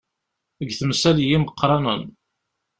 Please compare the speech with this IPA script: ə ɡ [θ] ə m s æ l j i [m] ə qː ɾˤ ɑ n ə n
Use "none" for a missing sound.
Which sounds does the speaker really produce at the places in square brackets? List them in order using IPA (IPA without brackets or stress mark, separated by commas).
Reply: θ, m